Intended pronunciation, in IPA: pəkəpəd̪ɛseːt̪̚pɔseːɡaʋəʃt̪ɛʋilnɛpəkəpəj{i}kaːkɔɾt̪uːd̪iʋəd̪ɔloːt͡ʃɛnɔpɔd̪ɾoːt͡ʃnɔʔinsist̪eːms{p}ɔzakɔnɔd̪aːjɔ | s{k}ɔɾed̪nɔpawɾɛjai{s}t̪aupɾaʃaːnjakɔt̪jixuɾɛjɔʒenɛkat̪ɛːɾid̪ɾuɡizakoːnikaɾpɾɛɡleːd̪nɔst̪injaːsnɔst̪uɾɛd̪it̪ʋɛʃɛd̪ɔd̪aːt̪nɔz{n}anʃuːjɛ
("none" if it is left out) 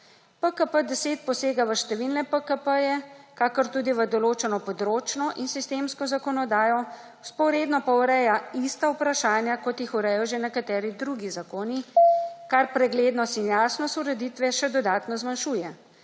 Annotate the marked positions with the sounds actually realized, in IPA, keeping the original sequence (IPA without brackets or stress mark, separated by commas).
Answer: ɛ, k, p, s, m